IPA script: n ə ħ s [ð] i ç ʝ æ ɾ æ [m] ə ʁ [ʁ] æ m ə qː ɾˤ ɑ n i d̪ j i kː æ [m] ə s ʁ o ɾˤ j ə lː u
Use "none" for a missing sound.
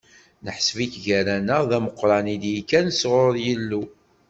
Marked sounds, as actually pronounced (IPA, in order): v, n, ð, n

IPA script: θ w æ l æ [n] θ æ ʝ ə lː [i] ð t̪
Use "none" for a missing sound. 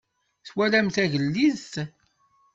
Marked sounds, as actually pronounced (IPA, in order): m, i

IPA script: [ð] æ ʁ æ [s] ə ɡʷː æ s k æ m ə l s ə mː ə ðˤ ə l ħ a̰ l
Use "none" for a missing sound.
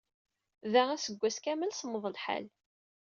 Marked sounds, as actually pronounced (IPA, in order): ð, s

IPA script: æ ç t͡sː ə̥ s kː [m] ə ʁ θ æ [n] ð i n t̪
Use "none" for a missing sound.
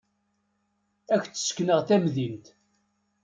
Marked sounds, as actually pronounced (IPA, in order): n, m

